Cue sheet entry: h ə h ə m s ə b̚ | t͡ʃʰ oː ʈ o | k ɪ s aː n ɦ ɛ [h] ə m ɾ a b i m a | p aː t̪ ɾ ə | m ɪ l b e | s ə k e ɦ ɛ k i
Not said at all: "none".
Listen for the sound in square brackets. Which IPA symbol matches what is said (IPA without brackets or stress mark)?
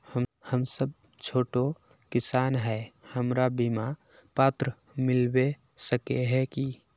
h